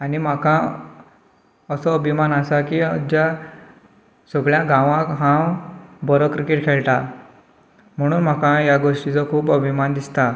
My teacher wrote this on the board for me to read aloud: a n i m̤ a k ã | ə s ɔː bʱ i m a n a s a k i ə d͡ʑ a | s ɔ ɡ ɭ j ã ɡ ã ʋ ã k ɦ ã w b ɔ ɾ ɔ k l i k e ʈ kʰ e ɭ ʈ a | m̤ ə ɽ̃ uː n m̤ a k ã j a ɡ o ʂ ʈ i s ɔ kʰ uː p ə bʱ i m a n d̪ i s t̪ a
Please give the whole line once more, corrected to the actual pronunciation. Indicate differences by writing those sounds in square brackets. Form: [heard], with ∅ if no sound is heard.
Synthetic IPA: a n i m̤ a k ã | ə s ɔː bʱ i m a n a s a k i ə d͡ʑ a | s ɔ ɡ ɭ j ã ɡ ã ʋ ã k ɦ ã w b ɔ ɾ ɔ k [ɾ] i k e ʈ kʰ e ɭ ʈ a | m̤ ə ɽ̃ uː n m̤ a k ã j a ɡ o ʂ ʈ i [t͡s] ɔ kʰ uː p ə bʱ i m a n d̪ i s t̪ a